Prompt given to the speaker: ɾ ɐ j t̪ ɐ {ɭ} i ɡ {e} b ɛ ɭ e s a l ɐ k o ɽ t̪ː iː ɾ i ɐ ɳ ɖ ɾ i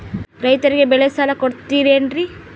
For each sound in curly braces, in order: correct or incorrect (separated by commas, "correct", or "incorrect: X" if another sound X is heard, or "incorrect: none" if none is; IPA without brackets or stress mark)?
incorrect: ɾ, correct